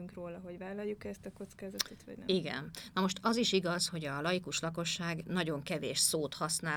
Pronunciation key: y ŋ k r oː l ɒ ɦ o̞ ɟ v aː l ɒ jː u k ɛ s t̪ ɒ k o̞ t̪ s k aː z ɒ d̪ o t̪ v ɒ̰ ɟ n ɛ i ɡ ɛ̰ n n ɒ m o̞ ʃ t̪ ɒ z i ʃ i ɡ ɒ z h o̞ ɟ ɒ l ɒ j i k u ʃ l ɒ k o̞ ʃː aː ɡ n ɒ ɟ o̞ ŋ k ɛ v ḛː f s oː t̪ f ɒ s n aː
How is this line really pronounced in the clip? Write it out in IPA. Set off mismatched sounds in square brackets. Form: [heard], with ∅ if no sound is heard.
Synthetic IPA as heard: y ŋ k r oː l ɒ ɦ o̞ ɟ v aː l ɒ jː u k ɛ s t̪ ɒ k o̞ t̪ s k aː z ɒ [t̪] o t̪ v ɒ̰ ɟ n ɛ i ɡ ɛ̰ n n ɒ m o̞ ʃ t̪ ɒ z i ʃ i ɡ ɒ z h o̞ ɟ ɒ l ɒ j i k u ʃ l ɒ k o̞ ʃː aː ɡ n ɒ ɟ o̞ ŋ k ɛ v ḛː [ʃ] s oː t̪ [h] ɒ s n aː